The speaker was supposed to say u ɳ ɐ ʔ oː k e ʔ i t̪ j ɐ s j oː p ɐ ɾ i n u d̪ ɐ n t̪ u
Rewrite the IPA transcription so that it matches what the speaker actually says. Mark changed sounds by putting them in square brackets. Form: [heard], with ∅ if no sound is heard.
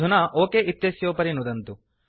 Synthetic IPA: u [n] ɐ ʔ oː k e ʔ i t̪ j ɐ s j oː p ɐ ɾ i n u d̪ ɐ n t̪ u